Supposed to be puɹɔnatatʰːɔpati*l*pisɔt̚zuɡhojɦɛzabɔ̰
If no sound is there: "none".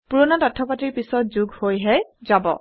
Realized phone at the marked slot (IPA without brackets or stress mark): ɹ